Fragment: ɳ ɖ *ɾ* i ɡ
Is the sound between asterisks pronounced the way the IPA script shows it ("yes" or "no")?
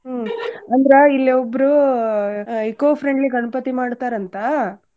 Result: no